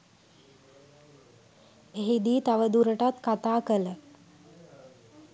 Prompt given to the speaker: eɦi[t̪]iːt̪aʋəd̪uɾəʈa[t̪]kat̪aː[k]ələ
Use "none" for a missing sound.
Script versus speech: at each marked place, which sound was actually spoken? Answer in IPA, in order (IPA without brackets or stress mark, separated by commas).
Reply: d̪, t̪, k